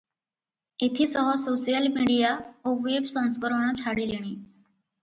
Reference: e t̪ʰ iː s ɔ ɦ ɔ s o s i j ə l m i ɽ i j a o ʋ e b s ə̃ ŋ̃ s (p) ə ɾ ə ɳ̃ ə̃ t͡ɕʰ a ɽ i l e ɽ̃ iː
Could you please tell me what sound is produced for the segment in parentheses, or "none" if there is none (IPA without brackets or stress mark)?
k